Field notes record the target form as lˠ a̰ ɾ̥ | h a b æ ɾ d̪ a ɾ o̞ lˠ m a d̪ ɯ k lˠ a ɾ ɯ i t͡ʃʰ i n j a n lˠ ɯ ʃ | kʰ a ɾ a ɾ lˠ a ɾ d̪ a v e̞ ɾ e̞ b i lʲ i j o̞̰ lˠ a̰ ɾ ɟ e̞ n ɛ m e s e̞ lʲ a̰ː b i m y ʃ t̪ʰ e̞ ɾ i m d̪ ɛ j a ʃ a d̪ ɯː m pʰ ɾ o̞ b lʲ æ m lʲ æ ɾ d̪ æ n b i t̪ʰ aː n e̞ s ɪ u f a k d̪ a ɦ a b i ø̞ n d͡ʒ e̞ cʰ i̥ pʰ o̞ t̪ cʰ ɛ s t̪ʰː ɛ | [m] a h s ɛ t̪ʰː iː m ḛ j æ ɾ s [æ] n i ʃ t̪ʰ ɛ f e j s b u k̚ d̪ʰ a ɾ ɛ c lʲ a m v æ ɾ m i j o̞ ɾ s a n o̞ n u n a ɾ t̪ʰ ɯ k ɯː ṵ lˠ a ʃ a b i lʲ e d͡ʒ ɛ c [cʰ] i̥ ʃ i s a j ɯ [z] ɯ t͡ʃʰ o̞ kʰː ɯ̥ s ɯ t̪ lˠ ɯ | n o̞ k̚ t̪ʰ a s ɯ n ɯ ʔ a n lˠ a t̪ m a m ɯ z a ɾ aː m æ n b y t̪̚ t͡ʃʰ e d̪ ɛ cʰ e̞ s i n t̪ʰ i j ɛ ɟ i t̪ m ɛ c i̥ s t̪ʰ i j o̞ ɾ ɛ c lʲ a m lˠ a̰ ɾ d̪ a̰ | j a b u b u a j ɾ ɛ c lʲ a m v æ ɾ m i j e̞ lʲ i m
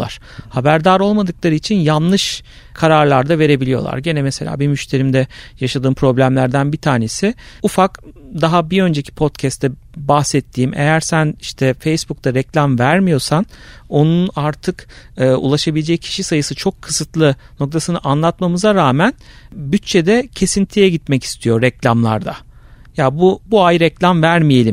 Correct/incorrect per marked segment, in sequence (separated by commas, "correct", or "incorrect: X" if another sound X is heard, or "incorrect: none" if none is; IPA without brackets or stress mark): incorrect: b, correct, correct, incorrect: s